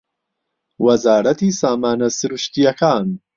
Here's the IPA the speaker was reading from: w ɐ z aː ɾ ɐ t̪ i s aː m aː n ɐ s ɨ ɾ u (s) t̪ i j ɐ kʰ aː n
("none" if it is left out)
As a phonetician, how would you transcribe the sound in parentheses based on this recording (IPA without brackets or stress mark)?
ʃ